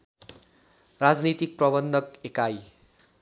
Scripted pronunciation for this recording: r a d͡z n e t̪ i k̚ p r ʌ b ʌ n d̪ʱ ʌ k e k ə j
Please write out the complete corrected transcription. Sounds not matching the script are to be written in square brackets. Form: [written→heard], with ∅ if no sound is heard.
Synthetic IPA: r a d͡z n [e→i] t̪ i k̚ p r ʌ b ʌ n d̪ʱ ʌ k e k [ə→a] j